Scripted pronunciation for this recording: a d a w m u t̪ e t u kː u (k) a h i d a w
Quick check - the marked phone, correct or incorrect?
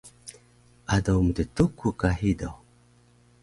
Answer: correct